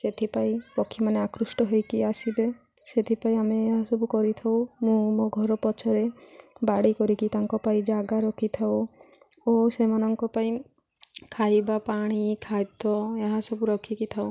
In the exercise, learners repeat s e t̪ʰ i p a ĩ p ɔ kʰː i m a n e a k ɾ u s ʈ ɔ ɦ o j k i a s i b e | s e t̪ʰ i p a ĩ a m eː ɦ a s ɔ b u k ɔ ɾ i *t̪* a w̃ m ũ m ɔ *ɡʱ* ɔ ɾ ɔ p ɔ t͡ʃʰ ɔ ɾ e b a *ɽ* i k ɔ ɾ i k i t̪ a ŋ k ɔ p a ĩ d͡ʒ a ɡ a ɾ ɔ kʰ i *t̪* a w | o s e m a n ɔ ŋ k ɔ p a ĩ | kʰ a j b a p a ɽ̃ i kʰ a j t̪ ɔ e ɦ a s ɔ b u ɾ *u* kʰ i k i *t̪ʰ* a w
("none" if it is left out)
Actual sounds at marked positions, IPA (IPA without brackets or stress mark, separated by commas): t̪ʰ, ɡʱ, ɽ, t̪ʰ, ɔ, t̪ʰ